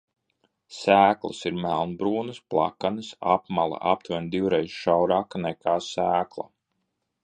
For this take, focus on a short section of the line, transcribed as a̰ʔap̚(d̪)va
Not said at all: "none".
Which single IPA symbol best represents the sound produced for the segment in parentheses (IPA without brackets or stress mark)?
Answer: t̪